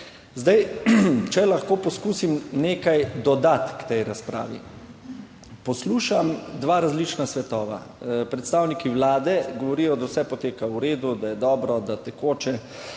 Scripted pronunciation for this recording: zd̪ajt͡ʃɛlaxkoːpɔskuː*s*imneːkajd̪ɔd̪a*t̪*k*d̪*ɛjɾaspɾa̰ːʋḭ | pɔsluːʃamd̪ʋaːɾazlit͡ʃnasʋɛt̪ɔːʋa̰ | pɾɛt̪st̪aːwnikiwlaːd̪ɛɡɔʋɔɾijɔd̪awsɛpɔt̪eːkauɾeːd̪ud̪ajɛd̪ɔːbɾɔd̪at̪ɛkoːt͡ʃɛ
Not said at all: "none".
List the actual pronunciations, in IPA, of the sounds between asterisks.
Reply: s, t̪, t̪

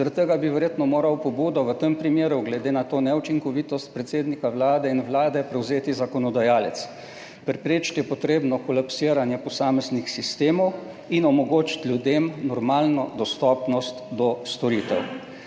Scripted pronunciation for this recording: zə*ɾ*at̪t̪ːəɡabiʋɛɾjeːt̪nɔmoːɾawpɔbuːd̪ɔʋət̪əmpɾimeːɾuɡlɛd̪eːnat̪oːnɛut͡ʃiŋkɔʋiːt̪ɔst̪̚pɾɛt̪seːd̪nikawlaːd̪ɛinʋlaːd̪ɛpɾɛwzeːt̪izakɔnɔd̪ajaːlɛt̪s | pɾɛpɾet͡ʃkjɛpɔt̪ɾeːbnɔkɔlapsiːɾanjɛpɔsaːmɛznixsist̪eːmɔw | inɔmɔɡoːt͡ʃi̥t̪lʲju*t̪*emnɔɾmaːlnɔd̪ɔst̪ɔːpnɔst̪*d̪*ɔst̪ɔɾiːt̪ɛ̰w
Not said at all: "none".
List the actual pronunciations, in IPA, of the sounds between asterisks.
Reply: ɾ, d̪, d̪

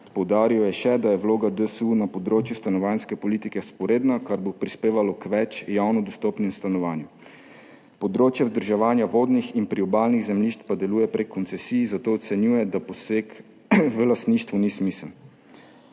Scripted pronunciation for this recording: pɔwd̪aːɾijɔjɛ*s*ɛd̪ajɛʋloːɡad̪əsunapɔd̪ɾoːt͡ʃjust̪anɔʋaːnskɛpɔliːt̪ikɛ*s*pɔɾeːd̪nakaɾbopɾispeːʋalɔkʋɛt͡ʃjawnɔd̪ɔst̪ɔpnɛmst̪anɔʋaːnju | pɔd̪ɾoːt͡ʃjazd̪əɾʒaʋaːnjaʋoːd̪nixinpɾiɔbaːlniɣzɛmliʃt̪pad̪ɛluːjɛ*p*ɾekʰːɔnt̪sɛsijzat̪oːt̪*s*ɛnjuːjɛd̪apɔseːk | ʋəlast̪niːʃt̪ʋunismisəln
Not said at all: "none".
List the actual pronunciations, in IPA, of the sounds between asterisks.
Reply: ʃ, s, p, s

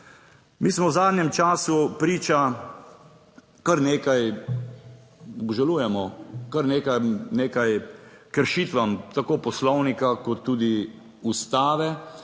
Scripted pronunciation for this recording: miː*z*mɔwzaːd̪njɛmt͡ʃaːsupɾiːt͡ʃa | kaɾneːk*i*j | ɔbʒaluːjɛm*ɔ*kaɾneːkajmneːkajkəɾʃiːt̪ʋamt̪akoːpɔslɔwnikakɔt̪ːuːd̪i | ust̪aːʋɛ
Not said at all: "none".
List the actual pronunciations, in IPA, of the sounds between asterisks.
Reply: s, a, ɔ

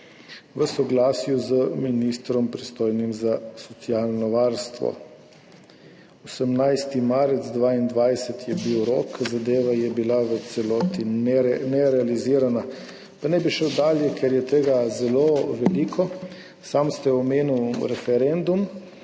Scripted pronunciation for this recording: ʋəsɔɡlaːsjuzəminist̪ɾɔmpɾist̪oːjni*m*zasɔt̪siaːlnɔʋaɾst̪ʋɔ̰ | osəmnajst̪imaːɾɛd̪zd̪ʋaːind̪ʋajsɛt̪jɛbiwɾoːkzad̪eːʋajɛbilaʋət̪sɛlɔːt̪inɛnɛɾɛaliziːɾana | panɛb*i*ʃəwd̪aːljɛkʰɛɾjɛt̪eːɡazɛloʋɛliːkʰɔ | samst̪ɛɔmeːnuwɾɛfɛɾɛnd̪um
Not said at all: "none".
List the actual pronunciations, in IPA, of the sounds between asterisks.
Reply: m, i

